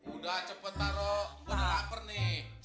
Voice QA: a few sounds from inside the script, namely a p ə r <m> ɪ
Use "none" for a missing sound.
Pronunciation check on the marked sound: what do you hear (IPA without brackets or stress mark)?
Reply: n